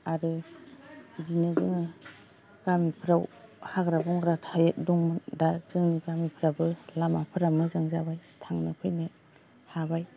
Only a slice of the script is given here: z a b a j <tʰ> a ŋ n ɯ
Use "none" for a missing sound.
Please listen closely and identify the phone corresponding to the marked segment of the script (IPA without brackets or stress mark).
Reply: tʰ